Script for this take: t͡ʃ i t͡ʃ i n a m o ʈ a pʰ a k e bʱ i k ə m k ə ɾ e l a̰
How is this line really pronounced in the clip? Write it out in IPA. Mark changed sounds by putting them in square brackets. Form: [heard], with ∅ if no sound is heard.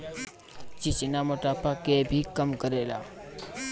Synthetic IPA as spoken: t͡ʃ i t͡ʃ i n a m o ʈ a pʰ a k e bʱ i k ə m k ə ɾ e l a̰